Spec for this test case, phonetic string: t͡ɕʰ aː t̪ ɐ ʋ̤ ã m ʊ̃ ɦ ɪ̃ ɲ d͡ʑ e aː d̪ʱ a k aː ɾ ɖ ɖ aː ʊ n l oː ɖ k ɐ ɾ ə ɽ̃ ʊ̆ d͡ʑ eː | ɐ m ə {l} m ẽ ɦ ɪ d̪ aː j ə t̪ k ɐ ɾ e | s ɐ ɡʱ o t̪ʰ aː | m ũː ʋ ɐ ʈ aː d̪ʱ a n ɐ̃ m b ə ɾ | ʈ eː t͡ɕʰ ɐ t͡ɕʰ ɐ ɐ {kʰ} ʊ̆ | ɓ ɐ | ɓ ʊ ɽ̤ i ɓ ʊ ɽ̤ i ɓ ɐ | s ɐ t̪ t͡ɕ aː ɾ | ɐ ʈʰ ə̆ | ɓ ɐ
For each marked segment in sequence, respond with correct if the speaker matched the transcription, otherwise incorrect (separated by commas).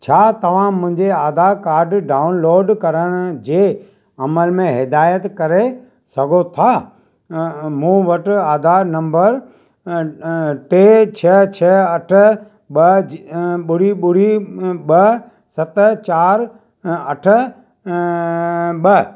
correct, incorrect